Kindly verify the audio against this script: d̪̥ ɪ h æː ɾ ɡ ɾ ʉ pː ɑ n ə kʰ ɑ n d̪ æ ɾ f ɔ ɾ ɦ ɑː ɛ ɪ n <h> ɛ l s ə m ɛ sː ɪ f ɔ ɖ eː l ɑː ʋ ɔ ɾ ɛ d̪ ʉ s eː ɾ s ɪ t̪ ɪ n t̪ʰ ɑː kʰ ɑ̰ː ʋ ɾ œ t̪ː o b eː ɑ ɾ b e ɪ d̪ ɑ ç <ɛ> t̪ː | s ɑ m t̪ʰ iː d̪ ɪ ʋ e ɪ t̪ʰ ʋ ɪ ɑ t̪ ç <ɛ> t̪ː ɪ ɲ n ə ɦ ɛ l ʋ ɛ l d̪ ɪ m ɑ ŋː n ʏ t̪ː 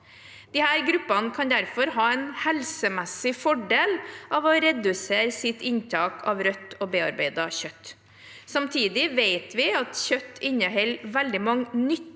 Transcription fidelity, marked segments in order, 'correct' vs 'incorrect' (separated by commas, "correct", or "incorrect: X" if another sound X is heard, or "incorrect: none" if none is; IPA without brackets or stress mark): correct, incorrect: œ, incorrect: œ